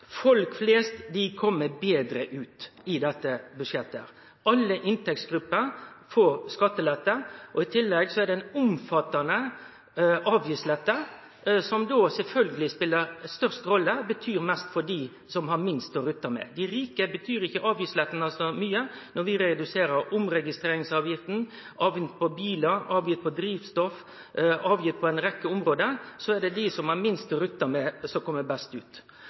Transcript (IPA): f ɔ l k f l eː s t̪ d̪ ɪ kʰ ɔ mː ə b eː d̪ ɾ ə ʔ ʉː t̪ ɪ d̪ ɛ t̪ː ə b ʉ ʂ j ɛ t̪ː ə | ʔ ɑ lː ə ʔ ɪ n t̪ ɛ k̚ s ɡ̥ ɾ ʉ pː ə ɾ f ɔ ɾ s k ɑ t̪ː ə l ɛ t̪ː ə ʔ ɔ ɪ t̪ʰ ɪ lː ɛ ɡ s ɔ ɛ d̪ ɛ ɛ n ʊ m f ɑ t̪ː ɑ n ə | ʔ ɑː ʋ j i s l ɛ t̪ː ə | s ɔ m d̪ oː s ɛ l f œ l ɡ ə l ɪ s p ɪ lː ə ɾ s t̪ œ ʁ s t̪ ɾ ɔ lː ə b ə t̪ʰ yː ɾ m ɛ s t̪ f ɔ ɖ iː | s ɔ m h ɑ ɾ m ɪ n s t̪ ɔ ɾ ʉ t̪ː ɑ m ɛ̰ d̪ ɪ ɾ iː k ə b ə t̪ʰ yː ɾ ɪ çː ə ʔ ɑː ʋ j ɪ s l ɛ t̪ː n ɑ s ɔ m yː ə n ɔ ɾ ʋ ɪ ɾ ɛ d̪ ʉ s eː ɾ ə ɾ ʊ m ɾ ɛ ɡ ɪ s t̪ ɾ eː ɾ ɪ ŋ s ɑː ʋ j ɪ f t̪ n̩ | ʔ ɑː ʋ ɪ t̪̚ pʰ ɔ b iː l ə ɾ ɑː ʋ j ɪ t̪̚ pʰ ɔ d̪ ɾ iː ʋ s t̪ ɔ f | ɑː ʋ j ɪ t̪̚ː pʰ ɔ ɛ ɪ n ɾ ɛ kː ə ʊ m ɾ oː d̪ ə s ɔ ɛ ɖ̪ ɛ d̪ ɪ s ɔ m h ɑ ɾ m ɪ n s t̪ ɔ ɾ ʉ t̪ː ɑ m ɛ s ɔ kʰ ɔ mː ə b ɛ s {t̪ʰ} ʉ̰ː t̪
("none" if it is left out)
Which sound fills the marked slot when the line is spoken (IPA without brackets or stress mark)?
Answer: t̪